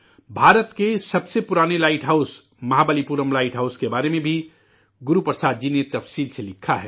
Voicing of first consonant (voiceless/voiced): voiced